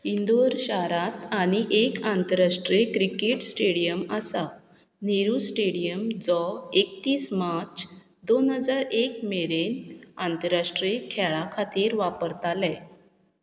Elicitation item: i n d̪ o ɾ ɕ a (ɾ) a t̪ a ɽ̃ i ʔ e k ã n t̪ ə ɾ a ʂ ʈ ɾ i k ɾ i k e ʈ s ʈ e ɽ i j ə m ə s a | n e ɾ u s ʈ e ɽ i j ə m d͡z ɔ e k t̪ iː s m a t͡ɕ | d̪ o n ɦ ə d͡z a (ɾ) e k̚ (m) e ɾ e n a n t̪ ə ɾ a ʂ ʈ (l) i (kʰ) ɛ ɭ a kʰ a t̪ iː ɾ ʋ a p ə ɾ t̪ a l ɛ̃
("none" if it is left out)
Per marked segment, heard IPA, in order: ɾ, ɾ, m, ɾ, kʰ

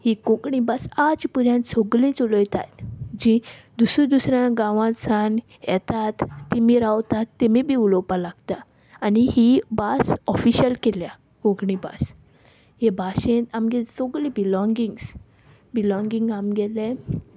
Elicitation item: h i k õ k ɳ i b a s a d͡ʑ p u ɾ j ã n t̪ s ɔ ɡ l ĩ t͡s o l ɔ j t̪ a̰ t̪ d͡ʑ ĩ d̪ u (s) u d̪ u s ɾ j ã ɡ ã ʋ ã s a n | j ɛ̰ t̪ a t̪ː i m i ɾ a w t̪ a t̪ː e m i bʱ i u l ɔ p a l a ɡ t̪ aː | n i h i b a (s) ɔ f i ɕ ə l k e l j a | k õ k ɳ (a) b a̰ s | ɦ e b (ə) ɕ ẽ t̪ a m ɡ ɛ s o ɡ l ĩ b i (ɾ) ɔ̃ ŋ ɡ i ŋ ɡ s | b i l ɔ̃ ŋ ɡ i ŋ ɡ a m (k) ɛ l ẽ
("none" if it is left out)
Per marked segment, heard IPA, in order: s, s, i, a, l, ɡ

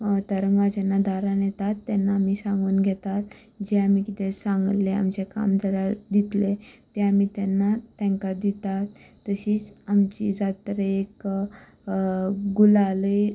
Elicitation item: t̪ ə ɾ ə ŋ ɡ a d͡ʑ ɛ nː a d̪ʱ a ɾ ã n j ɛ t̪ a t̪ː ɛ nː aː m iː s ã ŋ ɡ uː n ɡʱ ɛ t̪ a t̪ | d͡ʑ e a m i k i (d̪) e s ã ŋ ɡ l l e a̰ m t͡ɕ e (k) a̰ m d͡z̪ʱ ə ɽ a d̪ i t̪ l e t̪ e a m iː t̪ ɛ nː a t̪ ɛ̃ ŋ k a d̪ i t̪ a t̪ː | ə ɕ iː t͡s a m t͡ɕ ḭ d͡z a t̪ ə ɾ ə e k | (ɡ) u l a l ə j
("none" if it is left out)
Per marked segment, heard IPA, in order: t̪, k, ɡ

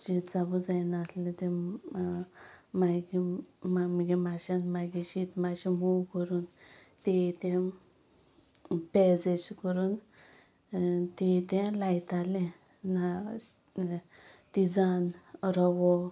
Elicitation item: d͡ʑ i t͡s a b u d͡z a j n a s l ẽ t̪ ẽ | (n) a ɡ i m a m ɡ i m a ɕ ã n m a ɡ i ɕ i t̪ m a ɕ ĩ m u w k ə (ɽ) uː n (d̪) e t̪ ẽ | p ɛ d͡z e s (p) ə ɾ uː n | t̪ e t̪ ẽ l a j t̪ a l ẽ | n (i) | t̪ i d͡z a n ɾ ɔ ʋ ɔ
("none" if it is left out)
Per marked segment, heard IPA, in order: m, ɾ, t̪, k, a

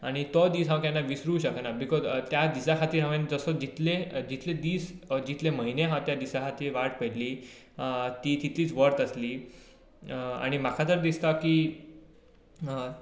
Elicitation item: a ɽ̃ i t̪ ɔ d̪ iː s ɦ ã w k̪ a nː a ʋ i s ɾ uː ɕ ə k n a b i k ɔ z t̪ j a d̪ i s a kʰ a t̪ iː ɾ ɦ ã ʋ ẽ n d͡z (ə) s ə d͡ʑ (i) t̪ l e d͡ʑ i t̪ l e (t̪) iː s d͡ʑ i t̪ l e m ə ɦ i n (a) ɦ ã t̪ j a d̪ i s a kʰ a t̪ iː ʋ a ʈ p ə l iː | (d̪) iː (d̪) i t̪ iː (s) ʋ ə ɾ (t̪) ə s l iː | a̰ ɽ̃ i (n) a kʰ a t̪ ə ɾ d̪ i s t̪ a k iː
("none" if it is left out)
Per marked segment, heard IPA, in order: ə, i, d̪, e, t̪, t̪, t͡s, t̪, m

